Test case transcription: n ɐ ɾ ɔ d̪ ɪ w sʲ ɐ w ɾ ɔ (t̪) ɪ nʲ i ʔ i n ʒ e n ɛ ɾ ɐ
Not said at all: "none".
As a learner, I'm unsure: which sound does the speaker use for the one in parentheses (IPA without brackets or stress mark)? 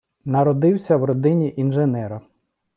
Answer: d̪